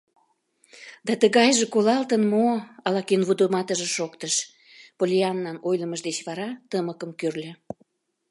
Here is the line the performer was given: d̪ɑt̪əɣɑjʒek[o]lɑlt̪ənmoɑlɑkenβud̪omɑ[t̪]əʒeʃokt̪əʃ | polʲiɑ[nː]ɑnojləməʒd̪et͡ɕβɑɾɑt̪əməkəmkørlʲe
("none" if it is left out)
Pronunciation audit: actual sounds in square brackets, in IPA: o, t̪, nː

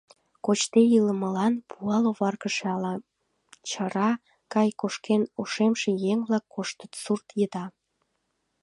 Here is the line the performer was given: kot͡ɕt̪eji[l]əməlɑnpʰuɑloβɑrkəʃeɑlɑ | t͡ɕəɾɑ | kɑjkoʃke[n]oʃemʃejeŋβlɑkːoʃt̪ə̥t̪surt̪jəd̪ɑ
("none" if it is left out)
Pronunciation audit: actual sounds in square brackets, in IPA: l, n

